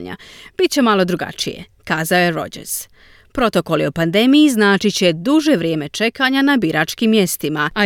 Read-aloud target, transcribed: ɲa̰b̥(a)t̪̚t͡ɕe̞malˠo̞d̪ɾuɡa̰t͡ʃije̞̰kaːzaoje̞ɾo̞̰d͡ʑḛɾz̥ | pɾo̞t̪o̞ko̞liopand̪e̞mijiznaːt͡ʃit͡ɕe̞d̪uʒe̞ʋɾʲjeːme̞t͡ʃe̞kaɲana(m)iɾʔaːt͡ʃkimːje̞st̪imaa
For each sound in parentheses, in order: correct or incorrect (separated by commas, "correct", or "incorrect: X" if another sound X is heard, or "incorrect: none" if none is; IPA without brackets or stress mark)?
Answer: incorrect: i, incorrect: b